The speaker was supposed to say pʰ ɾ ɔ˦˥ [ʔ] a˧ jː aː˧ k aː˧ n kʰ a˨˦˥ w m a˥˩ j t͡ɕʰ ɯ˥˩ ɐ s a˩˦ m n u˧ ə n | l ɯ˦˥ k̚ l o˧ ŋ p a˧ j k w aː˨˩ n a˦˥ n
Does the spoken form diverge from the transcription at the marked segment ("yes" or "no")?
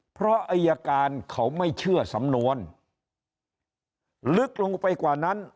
no